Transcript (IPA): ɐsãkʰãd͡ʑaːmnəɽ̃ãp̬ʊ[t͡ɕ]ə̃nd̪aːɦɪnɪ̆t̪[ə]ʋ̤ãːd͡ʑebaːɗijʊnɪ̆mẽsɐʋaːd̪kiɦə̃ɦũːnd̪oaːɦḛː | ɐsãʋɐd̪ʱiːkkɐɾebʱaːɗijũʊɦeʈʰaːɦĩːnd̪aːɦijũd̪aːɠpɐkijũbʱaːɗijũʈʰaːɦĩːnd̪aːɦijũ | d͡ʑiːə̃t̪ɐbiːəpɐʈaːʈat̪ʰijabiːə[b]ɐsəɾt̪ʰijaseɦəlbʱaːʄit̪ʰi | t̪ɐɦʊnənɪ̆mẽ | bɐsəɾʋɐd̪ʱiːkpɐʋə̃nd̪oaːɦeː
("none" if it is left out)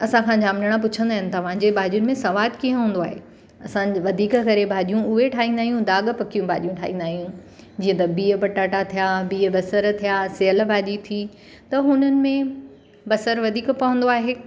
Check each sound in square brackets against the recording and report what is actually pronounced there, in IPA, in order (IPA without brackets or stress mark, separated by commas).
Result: t͡ɕʰ, ɐ, b